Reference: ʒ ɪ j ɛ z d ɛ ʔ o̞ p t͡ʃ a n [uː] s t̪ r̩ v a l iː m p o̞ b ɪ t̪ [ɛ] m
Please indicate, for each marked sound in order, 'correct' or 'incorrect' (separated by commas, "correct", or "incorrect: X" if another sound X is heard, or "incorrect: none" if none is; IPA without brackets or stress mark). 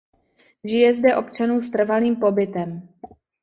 correct, correct